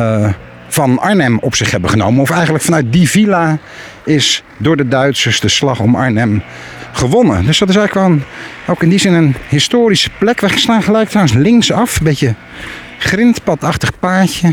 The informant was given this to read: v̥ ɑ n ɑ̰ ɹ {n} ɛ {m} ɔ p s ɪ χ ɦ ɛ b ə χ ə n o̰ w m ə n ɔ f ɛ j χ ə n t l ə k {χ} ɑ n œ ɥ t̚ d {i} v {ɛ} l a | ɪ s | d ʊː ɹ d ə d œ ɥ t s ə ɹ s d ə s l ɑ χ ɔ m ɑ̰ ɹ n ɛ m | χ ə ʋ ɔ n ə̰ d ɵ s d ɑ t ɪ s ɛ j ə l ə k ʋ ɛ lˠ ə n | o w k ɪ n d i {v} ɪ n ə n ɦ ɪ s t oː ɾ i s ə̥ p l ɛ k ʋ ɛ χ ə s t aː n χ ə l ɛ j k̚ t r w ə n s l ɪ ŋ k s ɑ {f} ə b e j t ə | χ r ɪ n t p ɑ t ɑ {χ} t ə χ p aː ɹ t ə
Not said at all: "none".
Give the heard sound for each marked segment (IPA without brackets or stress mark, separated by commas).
n, m, f, i, i, z, f, χ